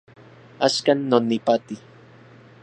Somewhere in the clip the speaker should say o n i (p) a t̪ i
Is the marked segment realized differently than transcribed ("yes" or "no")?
no